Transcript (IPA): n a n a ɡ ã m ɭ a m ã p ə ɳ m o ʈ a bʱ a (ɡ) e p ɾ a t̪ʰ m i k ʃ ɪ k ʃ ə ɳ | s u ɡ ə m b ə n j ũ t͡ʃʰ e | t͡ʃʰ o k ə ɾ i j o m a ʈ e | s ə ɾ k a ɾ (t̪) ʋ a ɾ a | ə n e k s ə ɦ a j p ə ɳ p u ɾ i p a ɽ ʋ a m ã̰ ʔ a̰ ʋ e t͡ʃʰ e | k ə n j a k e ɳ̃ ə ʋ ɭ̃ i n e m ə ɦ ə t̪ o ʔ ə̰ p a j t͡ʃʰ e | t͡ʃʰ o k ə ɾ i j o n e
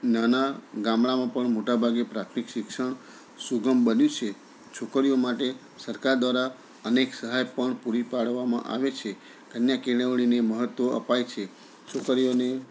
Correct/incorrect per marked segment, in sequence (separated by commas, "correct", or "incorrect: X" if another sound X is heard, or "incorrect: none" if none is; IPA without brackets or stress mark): correct, incorrect: d̪